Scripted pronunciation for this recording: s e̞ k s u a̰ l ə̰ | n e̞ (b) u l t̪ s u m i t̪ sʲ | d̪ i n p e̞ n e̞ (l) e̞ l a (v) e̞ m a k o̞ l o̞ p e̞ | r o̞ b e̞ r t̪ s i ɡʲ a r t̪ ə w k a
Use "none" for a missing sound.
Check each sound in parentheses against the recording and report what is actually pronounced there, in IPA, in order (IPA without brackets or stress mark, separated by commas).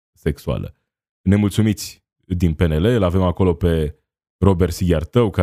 m, l, v